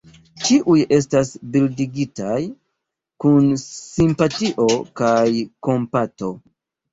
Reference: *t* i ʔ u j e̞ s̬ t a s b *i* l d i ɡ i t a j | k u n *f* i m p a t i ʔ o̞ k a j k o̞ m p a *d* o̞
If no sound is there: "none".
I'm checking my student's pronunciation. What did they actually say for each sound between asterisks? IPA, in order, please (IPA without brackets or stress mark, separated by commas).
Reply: t͡ʃ, i, s, t